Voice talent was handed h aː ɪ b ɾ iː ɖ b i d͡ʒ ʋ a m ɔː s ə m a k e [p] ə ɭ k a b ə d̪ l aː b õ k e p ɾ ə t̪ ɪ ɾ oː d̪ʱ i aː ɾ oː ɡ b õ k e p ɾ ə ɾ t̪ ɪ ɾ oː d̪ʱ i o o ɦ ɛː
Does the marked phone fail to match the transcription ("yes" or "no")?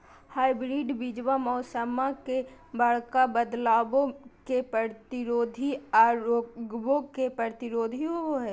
yes